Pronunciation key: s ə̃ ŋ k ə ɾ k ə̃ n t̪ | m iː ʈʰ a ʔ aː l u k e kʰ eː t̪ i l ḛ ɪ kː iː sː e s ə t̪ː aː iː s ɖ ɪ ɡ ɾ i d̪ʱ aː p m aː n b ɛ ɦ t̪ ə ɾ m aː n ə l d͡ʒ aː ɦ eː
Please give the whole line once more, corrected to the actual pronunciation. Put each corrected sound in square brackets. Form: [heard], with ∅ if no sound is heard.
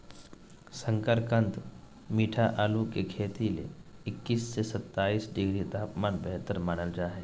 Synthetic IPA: s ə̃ ŋ k ə ɾ k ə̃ n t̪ | m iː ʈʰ a ʔ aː l u k e kʰ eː t̪ i l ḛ ɪ kː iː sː e s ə t̪ː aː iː s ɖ ɪ ɡ ɾ i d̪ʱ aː p m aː n b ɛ ɦ t̪ ə ɾ m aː n ə l d͡ʒ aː ɦ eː